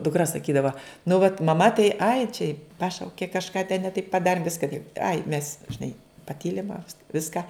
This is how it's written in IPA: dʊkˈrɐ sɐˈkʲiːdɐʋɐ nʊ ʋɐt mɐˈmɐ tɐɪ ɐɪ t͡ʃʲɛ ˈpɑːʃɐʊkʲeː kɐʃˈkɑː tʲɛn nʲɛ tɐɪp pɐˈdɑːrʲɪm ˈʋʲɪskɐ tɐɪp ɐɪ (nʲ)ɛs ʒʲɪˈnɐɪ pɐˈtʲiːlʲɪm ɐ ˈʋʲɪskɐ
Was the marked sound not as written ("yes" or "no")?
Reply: yes